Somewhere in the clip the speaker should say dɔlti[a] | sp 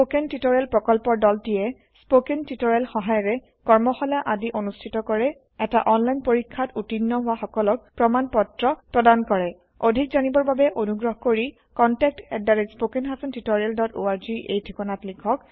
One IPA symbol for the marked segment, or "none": ɛ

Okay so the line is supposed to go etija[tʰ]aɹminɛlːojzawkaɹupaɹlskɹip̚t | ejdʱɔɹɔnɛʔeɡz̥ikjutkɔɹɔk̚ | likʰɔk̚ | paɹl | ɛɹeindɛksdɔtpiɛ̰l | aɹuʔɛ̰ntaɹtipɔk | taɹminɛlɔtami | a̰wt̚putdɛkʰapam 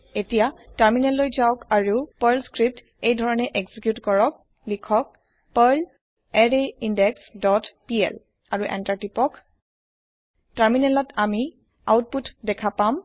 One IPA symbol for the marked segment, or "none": t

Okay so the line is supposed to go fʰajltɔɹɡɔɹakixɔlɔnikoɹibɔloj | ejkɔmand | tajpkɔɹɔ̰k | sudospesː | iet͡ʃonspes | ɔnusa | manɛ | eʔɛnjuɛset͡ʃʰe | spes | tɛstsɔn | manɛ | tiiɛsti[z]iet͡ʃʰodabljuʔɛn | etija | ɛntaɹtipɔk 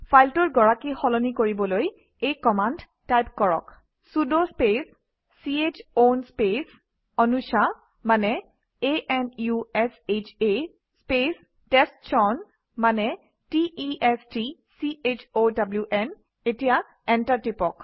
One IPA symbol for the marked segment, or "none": s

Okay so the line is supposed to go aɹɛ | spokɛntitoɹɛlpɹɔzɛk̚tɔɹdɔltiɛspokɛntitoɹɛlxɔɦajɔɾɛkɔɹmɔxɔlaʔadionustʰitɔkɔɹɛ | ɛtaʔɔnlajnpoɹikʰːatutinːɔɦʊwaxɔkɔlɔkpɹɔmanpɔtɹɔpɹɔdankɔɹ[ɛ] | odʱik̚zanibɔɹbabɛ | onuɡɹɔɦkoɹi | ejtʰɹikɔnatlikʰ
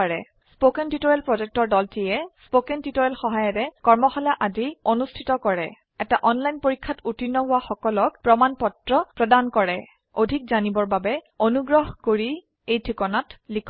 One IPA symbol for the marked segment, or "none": ɛ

